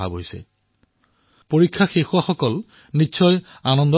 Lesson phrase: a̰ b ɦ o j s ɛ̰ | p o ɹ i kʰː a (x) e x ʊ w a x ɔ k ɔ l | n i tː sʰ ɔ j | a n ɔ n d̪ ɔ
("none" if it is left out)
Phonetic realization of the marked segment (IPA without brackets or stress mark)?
x